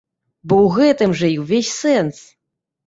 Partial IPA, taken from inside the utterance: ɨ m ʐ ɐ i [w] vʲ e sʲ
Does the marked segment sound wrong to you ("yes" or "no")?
no